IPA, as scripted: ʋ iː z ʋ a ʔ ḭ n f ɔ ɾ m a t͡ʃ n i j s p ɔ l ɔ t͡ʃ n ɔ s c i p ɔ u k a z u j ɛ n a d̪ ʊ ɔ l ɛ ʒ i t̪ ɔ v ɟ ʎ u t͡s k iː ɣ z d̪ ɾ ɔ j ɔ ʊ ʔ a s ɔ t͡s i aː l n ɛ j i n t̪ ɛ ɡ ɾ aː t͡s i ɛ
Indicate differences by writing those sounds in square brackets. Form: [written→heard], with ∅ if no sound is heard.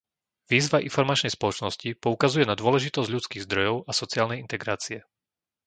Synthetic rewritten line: ʋ iː z ʋ a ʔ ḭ n f ɔ ɾ m a t͡ʃ n [i→ɛ] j s p ɔ l ɔ t͡ʃ n ɔ s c i p ɔ u k a z u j ɛ n a d̪ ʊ ɔ l ɛ ʒ i t̪ ɔ [v→z] ɟ ʎ u t͡s k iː ɣ z d̪ ɾ ɔ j ɔ ʊ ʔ a s ɔ t͡s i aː l n ɛ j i n t̪ ɛ ɡ ɾ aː t͡s i ɛ